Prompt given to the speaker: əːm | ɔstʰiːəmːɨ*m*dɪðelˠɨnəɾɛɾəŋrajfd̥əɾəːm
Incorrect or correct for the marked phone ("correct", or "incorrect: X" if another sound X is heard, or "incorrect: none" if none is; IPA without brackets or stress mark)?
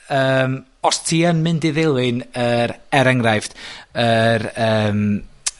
incorrect: n